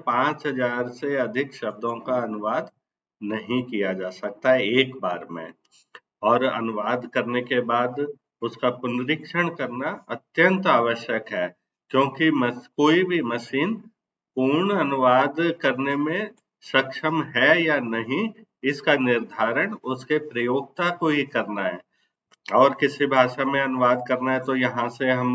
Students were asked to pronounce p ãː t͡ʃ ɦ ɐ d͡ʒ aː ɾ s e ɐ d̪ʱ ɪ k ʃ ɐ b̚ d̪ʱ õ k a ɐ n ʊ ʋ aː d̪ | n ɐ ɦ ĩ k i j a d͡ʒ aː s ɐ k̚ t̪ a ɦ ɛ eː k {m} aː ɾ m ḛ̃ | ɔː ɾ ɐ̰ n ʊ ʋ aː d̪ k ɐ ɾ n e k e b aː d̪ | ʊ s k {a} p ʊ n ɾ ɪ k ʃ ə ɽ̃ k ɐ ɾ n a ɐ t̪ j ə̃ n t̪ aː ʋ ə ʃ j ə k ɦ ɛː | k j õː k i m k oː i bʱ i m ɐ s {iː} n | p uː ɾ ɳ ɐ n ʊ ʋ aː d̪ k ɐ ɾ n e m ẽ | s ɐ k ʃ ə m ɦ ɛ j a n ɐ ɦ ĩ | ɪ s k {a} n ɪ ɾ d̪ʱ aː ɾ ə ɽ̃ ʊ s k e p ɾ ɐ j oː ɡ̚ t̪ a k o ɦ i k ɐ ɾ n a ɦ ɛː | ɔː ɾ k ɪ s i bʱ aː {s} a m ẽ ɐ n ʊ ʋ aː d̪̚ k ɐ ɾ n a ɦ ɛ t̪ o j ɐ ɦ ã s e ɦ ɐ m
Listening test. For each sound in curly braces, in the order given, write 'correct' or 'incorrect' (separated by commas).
incorrect, correct, correct, correct, incorrect